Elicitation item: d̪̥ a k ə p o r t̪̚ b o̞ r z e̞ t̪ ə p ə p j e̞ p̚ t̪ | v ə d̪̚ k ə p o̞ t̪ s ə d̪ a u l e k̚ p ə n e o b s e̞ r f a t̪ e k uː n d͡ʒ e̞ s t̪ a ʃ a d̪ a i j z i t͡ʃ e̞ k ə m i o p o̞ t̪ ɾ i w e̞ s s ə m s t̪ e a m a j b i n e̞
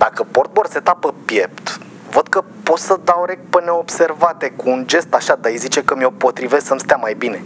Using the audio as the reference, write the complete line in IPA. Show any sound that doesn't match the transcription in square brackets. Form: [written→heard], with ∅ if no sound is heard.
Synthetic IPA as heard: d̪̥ a k ə p o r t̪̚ b o̞ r [z→s] e̞ t̪ [ə→a] p ə p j e̞ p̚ t̪ | v ə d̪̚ k ə p o̞ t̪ s ə d̪ a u [l→ɾ] e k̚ p ə n e o b s e̞ r [f→v] a t̪ e k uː n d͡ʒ e̞ s t̪ a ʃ a d̪ a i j z i t͡ʃ e̞ k ə m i o p o̞ t̪ ɾ i [w→v] e̞ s s ə m s t̪ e a m a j b i n e̞